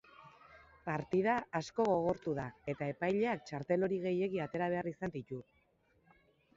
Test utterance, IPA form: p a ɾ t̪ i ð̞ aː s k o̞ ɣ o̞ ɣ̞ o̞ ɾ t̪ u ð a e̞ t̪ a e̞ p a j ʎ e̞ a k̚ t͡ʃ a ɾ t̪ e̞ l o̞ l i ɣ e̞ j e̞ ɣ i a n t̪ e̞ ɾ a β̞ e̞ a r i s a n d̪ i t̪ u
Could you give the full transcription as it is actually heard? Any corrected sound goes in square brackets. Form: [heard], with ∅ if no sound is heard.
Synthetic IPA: p a ɾ t̪ i ð̞ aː s k o̞ ɣ o̞ ɣ̞ o̞ ɾ t̪ u ð a e̞ t̪ a e̞ p a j ʎ e̞ a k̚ t͡ʃ a ɾ t̪ e̞ l o̞ [ɾ] i ɣ e̞ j e̞ ɣ i a [∅] t̪ e̞ ɾ a β̞ e̞ a r i s a n d̪ i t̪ u